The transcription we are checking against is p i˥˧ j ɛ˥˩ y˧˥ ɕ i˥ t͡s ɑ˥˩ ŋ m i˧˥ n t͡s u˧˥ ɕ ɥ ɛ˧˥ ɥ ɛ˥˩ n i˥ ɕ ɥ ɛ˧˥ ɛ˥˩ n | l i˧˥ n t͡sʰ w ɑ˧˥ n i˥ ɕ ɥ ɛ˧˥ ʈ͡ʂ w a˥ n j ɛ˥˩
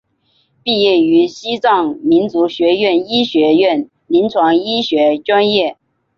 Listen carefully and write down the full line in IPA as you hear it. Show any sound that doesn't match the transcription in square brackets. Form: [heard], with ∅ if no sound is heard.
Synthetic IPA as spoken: p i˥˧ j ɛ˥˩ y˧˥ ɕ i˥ t͡s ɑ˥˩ ŋ m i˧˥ n t͡s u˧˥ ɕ ɥ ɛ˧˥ ɥ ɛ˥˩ n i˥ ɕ ɥ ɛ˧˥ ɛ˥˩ n | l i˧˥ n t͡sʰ w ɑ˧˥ [ŋ] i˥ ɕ ɥ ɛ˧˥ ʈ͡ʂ w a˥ n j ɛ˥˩